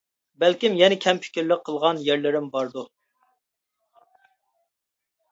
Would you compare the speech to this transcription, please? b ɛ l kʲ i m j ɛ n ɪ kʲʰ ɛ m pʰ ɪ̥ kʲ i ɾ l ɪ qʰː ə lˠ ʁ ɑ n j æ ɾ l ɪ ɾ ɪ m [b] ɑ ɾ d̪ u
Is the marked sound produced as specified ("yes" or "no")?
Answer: yes